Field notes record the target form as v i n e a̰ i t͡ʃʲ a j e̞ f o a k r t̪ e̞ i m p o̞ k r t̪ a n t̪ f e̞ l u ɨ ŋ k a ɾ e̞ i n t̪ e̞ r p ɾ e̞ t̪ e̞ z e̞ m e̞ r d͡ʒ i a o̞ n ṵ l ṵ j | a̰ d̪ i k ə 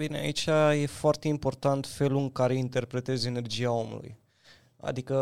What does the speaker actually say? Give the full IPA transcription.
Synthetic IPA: v i n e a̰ i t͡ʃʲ a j e̞ f o a r t̪ e̞ i m p o̞ r t̪ a n t̪ f e̞ l u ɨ ŋ k a ɾ e̞ i n t̪ e̞ r p ɾ e̞ t̪ e̞ z e̞ n e̞ r d͡ʒ i a o̞ m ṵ l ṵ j | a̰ d̪ i k ə